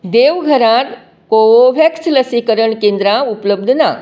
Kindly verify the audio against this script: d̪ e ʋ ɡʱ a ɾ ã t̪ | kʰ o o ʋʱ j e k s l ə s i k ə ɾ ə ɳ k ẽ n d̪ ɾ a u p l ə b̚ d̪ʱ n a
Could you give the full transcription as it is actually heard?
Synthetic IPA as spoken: d̪ e ʋ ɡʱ ə ɾ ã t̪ | k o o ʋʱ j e k s l ə s i k ə ɾ ə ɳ k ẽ n d̪ ɾ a u p l ə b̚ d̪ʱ n a